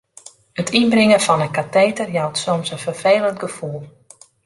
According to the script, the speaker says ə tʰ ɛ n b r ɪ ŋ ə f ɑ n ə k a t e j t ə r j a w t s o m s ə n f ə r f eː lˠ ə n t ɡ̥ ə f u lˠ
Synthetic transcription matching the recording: ə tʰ i n b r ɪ ŋ ə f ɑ n ə k a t e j t ə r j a w t s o m s ə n f ə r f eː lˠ ə n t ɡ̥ ə f u lˠ